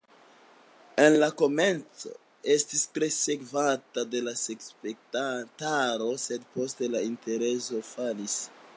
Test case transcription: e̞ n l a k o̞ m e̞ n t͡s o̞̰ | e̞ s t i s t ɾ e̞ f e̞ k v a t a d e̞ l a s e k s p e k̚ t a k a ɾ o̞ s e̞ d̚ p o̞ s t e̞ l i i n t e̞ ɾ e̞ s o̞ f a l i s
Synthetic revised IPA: e̞ n l a k o̞ m e̞ n t͡s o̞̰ | e̞ s t i s t ɾ e̞ s e̞ k v a t a d e̞ l a s e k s p e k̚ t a t a ɾ o̞ s e̞ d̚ p o̞ s t e̞ l a i n t e̞ ɾ e̞ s o̞ f a l i s